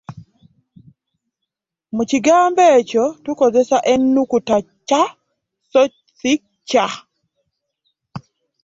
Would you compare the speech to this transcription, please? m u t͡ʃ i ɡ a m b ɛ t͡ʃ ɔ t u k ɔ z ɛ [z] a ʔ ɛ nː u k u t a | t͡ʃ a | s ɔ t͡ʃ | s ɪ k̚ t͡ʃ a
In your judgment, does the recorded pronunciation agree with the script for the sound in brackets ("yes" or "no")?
no